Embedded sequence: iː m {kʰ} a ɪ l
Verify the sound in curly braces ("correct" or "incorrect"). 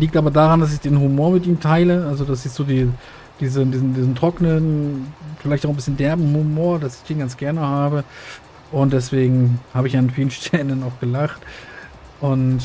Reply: incorrect